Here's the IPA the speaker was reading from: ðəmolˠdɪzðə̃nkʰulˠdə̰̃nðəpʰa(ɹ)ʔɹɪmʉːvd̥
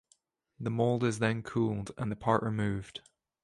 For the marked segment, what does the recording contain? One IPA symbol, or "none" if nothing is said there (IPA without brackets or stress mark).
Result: ɹ